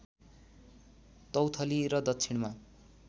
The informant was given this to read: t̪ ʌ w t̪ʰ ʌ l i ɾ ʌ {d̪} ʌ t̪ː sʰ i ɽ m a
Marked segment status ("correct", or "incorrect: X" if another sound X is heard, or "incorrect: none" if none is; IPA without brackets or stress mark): correct